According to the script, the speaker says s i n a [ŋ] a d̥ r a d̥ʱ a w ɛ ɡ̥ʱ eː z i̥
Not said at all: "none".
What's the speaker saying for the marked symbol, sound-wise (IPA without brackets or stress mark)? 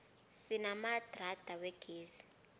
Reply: m